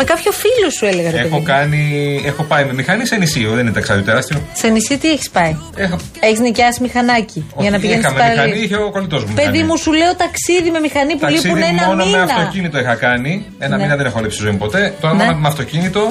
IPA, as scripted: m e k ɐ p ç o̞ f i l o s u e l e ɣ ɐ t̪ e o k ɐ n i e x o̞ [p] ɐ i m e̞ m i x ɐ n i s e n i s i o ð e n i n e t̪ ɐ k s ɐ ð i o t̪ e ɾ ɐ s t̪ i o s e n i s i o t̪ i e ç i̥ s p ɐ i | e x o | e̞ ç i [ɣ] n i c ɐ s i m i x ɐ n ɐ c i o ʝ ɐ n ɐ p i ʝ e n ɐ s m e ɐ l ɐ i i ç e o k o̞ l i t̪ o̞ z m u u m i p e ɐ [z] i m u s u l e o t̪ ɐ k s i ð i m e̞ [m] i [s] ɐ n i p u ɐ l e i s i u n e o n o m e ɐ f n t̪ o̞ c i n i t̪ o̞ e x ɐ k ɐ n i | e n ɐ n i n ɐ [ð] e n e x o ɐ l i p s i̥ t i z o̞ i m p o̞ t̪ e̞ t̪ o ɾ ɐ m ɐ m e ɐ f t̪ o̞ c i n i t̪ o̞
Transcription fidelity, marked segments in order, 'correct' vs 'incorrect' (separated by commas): correct, incorrect, incorrect, correct, incorrect, correct